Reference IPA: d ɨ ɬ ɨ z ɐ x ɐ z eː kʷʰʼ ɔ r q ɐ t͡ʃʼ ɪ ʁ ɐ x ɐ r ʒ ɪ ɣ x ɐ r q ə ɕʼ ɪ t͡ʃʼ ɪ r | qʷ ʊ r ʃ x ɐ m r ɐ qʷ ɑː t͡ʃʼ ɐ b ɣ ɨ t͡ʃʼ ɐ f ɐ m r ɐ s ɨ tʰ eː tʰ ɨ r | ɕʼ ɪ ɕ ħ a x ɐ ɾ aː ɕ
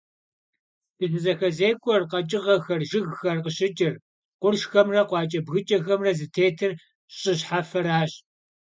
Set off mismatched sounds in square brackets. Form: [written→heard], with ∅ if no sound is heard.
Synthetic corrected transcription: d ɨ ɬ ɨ z ɐ x ɐ z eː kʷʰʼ ɔ r q ɐ t͡ʃʼ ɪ ʁ ɐ x ɐ r ʒ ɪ ɣ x ɐ r q ə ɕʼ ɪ t͡ʃʼ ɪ r | qʷ ʊ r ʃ x ɐ m r ɐ qʷ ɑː t͡ʃʼ ɐ b ɣ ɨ t͡ʃʼ ɐ [f→x] ɐ m r ɐ [s→z] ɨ tʰ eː tʰ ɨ r | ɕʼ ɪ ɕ ħ a [x→f] ɐ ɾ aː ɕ